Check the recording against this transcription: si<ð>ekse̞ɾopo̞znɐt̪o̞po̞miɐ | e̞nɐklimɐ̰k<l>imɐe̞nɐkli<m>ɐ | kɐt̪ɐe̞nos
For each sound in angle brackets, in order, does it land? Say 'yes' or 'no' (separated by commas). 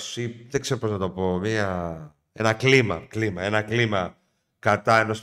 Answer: yes, yes, yes